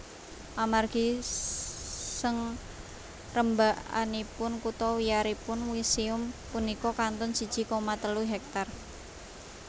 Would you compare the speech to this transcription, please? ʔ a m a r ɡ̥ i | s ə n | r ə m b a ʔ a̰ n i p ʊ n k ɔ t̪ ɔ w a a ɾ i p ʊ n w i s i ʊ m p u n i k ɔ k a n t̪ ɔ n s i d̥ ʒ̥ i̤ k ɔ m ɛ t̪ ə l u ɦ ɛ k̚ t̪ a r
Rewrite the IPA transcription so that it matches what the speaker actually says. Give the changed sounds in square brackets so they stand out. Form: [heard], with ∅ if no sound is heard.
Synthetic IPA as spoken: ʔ a m a r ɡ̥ i | s ə [ŋ] | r ə m b a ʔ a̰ n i p ʊ n k [u] t̪ ɔ w [i] a ɾ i p ʊ n w i s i ʊ m p u n i k ɔ k a n t̪ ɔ n s i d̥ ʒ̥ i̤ k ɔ m [a] t̪ ə l u ɦ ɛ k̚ t̪ a r